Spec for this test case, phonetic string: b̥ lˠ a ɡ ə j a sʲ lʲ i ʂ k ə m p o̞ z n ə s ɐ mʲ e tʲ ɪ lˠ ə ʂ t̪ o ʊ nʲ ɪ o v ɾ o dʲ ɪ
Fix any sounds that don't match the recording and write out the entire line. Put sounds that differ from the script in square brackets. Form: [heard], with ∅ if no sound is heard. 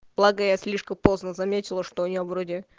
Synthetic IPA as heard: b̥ lˠ a ɡ ə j a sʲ lʲ i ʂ k ə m p o̞ z n ə [z] ɐ mʲ e tʲ ɪ lˠ ə ʂ t̪ o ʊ nʲ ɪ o v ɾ o dʲ ɪ